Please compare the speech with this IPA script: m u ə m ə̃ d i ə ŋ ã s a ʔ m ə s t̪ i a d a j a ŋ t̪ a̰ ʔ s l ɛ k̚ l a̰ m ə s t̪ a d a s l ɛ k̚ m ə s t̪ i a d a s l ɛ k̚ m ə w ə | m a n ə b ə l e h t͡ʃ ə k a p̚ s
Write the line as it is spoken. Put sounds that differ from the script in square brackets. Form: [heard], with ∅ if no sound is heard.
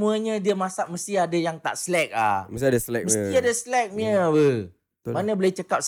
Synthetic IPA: m u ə [ɲ] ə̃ d i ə [m] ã s a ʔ m ə s t̪ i a d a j a ŋ t̪ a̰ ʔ s l ɛ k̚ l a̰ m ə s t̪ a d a s l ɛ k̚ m ə s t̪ i a d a s l ɛ k̚ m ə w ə | m a n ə b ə l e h t͡ʃ ə k a p̚ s